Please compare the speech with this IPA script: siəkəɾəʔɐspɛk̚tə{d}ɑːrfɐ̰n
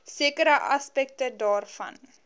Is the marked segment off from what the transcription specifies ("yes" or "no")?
no